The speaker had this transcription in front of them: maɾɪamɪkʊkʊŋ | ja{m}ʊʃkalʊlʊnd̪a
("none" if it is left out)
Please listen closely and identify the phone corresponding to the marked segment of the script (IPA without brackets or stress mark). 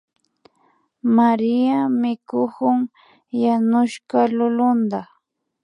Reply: n